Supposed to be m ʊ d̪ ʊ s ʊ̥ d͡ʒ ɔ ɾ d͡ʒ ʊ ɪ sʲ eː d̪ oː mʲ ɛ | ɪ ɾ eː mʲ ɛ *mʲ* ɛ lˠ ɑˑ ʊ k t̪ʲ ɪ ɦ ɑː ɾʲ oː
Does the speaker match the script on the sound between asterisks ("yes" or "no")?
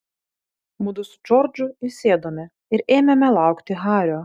yes